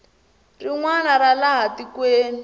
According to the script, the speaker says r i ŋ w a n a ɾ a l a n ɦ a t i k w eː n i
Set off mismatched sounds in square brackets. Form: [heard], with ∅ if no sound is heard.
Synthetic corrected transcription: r i ŋ w a n a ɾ a l a [∅] ɦ a t i k w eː n i